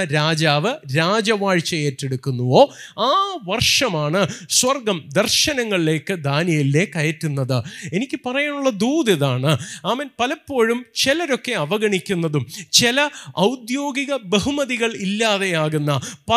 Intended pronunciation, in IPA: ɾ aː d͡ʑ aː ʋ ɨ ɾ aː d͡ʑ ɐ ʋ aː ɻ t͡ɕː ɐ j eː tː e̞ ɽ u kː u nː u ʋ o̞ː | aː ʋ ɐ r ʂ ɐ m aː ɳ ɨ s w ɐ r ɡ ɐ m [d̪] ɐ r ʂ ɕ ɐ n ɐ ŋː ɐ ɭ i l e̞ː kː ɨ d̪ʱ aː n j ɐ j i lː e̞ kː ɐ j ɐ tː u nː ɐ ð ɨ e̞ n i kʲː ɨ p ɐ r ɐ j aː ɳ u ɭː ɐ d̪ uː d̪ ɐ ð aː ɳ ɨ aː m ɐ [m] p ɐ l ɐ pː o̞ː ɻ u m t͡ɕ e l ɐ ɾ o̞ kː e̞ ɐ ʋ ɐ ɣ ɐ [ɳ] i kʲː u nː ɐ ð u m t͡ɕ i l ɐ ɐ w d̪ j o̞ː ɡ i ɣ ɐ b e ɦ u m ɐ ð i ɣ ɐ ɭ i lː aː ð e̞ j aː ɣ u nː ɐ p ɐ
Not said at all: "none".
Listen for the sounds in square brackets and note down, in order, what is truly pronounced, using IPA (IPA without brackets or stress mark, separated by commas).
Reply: d̪, n, ɳ